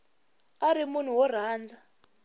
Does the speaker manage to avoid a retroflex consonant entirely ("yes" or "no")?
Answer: yes